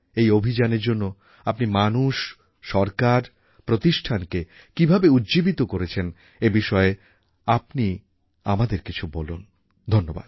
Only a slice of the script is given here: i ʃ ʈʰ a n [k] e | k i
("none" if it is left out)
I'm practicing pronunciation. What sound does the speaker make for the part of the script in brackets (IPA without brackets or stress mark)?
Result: k